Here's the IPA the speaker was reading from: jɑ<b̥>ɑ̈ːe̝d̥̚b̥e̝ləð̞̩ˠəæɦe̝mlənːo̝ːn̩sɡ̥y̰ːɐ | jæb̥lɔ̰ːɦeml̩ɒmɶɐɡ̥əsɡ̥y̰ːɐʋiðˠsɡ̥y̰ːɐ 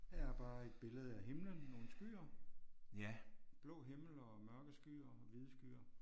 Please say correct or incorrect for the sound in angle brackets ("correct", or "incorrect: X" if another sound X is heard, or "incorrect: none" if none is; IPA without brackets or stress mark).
correct